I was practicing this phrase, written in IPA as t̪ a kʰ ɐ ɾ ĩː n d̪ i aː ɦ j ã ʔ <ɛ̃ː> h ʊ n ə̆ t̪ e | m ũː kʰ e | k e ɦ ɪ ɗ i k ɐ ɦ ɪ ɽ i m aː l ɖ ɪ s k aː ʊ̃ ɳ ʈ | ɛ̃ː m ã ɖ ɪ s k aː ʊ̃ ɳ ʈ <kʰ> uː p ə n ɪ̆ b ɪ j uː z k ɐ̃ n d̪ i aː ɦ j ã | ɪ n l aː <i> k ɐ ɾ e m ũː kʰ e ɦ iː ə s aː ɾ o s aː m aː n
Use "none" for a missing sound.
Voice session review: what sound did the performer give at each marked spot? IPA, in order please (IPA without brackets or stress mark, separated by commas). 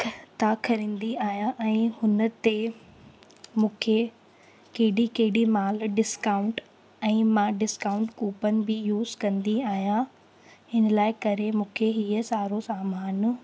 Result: ɛ̃ː, k, ɪ